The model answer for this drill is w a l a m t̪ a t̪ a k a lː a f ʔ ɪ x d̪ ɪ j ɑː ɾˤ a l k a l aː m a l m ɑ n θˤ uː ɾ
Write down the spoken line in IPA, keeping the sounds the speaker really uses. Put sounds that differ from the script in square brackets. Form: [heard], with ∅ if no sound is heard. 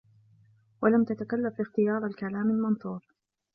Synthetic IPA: w a l a m t̪ a t̪ a k a lː a f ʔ ɪ x [t̪] ɪ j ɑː ɾˤ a l k a l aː m a l m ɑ n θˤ uː ɾ

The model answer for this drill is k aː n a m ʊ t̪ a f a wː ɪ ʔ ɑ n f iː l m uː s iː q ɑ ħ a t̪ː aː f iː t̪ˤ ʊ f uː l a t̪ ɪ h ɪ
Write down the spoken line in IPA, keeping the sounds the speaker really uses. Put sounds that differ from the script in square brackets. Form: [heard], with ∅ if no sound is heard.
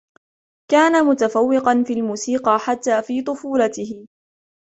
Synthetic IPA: k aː n a m ʊ t̪ a f a wː ɪ [q] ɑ n f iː l m uː s iː q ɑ ħ a t̪ː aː f iː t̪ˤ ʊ f uː l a t̪ ɪ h ɪ

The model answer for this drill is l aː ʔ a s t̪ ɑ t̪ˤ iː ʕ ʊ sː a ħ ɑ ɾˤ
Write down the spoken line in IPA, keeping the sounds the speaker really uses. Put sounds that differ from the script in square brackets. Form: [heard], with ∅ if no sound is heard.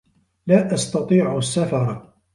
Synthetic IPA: l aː ʔ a s t̪ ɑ t̪ˤ iː ʕ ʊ sː a [f] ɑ ɾˤ

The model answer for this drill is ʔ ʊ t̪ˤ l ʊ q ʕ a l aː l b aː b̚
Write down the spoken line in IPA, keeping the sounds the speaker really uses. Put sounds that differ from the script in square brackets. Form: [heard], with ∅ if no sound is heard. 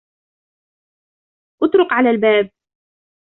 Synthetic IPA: ʔ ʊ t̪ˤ [ɾ] ʊ q ʕ a l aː l b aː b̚

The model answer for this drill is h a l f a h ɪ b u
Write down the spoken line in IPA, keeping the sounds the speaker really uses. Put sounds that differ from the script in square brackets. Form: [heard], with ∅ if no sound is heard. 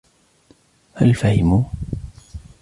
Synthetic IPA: h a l f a h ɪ [m] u

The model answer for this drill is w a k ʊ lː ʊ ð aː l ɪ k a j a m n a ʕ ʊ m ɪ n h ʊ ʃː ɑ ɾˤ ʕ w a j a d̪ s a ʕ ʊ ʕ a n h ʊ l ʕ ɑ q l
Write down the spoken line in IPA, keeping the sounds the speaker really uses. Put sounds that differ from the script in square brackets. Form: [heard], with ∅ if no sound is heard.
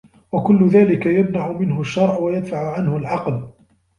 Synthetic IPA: w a k ʊ lː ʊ ð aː l ɪ k a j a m n a ʕ ʊ m ɪ n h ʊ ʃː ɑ ɾˤ ʕ w a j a d̪ [f] a ʕ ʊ ʕ a n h ʊ l ʕ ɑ q l

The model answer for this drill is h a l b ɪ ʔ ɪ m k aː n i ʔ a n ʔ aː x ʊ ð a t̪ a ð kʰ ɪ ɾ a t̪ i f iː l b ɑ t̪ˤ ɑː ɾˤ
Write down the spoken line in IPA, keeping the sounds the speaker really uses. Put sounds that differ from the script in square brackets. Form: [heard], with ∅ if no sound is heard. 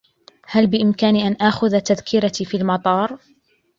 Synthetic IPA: h a l b ɪ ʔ ɪ m k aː n i ʔ a n ʔ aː x ʊ ð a t̪ a ð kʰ ɪ ɾ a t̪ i f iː l [m] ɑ t̪ˤ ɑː ɾˤ

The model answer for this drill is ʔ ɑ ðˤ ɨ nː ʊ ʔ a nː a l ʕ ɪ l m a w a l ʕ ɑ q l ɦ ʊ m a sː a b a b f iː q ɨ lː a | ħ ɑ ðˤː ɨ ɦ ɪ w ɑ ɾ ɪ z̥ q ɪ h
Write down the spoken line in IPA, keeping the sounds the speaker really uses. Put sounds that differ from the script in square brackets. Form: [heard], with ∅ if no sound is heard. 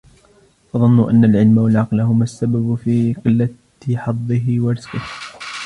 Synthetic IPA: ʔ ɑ ðˤ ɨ nː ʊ ʔ a nː a l ʕ ɪ l m a w a l ʕ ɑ q l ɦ ʊ m a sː a b a b f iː q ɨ lː a | ħ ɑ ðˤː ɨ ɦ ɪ w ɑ ɾ ɪ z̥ q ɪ h

